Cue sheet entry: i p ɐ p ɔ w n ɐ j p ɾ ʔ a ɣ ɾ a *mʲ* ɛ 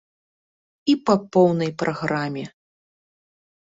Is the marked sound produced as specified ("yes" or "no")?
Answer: yes